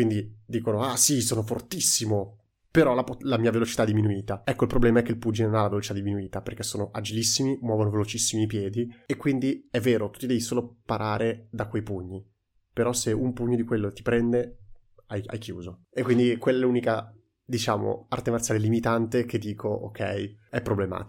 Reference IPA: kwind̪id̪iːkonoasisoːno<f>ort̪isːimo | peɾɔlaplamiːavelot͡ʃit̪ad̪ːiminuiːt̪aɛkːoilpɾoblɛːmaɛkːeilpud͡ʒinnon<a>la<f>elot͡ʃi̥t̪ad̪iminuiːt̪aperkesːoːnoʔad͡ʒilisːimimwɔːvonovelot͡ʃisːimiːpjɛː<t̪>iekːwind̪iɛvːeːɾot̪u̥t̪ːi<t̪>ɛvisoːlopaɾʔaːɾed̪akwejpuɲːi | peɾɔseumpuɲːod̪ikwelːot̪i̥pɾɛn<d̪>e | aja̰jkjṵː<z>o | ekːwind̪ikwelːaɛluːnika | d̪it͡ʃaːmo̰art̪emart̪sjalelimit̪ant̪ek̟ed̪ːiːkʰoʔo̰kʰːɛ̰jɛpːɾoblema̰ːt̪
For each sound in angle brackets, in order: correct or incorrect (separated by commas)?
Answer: correct, correct, incorrect, incorrect, incorrect, correct, correct